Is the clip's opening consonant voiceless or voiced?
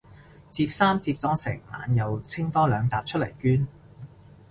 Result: voiceless